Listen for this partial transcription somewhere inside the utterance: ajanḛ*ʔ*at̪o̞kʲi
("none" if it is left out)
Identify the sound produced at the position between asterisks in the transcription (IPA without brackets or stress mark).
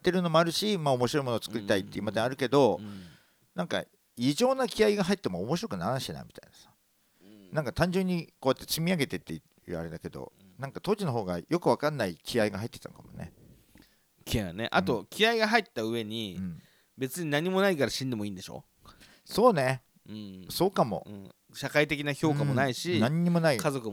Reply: ʔ